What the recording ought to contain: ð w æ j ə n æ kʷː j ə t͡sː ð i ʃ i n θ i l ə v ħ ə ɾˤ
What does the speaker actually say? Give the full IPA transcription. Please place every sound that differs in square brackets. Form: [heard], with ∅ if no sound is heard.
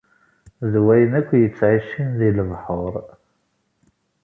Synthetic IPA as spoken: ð w æ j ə n æ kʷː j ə t͡sː [ʕ] i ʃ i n [ð] i l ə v ħ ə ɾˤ